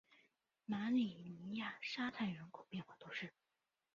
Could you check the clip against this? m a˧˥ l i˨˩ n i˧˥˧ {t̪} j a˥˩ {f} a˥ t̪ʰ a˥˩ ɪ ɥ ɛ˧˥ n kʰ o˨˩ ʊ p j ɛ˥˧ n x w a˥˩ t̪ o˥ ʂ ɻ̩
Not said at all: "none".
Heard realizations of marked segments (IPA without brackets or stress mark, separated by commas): none, ʂ